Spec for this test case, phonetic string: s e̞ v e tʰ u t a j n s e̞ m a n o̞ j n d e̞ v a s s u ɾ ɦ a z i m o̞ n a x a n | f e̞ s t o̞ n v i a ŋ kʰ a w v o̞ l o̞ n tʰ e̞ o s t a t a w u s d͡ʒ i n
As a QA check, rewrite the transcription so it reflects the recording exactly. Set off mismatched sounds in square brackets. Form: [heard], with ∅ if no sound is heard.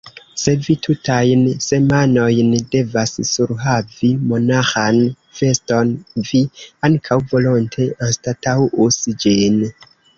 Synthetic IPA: s e̞ v [i] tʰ u t a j n s e̞ m a n o̞ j n d e̞ v a s s u ɾ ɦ a [v] i m o̞ n a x a n | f e̞ s t o̞ n v i a ŋ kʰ a w v o̞ l o̞ n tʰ e̞ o s t a t a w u s d͡ʒ i n

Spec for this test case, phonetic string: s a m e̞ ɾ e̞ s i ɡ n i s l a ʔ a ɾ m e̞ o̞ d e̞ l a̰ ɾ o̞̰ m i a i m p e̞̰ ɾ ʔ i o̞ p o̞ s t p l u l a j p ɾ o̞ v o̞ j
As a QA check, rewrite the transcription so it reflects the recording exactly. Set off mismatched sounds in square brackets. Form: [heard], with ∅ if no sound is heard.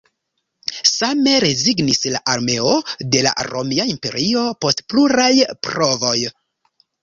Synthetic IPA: s a m e̞ ɾ e̞ [z] i ɡ n i s l a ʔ a ɾ m e̞ o̞ d e̞ l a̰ ɾ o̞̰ m i a i m p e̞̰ ɾ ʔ i o̞ p o̞ s t p l u [ɾ] a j p ɾ o̞ v o̞ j

